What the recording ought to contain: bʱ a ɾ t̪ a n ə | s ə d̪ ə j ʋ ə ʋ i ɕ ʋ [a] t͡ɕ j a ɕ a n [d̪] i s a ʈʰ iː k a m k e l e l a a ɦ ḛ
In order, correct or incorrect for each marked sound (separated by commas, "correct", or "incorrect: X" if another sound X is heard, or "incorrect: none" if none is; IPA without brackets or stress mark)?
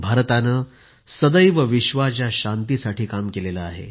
correct, incorrect: t̪